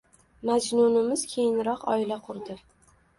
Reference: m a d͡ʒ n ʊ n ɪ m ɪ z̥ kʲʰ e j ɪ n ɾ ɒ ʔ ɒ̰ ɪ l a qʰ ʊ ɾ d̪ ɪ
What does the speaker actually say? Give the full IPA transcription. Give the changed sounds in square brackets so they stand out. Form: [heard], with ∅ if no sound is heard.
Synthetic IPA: m a d͡ʒ n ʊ n ɪ m ɪ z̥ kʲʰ e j ɪ n ɾ ɒ [q] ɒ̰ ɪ l a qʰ ʊ ɾ d̪ ɪ